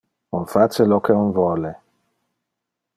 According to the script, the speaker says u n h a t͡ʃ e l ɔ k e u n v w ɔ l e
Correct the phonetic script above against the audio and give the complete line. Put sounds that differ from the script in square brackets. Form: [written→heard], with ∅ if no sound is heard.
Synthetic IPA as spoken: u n [h→f] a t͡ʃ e l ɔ k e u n v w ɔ l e